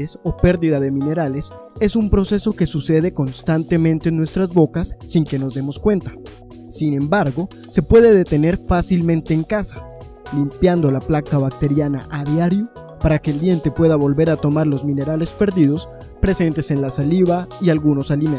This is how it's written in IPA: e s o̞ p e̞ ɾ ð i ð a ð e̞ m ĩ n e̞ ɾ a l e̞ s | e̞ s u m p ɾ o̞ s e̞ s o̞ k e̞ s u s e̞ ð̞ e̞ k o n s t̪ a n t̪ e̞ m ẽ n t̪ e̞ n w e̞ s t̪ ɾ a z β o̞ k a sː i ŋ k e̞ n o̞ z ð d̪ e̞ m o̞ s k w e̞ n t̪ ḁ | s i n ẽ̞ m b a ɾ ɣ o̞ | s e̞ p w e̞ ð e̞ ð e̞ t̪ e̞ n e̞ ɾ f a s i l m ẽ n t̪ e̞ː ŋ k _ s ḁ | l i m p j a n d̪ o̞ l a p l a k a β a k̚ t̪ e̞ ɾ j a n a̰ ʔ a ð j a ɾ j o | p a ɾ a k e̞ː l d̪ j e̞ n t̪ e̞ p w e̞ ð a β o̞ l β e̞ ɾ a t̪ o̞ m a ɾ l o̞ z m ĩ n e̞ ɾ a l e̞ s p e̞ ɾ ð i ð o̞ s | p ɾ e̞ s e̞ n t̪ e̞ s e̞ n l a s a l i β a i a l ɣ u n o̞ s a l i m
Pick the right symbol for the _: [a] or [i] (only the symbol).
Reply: a